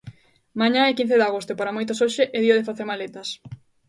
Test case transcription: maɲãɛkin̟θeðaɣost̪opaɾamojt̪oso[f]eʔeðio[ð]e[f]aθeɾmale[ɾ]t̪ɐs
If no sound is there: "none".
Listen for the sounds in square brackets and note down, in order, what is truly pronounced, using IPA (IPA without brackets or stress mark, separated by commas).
ʃ, ð, f, none